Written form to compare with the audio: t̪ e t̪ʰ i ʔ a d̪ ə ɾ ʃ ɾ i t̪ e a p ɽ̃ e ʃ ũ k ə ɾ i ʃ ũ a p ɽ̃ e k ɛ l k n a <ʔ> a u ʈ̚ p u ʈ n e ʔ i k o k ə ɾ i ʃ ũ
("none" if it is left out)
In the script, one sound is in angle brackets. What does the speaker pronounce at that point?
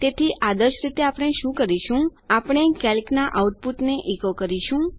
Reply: ʔ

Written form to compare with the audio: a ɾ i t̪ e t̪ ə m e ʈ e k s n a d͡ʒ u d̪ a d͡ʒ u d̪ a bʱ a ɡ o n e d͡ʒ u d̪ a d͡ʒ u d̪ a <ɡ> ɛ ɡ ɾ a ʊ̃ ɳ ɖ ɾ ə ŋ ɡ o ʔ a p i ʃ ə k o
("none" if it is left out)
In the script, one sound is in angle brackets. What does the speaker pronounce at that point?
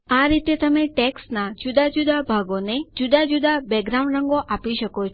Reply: b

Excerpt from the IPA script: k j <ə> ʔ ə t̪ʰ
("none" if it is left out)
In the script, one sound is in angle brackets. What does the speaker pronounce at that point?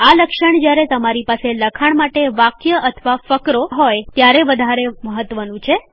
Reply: ə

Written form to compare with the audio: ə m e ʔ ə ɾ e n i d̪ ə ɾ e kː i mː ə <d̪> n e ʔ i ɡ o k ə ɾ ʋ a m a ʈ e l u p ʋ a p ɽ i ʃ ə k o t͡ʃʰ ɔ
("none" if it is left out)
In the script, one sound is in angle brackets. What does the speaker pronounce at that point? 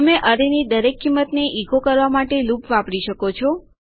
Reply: t̪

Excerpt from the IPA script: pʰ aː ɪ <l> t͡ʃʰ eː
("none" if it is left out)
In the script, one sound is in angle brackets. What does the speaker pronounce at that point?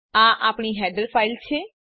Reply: l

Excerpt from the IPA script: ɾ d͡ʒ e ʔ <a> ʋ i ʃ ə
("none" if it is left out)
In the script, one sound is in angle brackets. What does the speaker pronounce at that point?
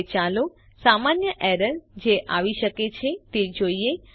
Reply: a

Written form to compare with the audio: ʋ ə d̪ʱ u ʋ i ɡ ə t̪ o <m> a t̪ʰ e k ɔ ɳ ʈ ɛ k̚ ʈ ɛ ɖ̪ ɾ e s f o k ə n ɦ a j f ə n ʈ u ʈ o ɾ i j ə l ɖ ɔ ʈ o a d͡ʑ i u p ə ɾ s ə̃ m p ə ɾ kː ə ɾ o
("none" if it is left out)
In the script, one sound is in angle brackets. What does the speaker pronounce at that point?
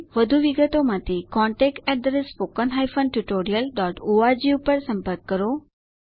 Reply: m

